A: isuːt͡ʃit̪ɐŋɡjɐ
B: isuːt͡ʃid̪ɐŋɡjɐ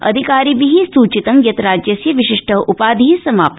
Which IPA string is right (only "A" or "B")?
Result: A